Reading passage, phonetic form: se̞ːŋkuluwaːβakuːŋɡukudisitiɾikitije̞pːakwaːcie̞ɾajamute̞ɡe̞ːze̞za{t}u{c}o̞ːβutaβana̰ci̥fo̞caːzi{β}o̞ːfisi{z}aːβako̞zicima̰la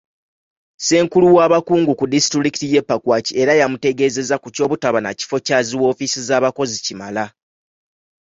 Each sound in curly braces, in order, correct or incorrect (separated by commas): incorrect, correct, incorrect, correct